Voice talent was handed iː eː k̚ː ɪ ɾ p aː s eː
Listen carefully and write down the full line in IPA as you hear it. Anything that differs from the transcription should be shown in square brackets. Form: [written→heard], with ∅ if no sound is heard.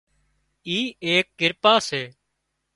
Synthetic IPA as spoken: iː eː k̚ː ɪ ɾ p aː s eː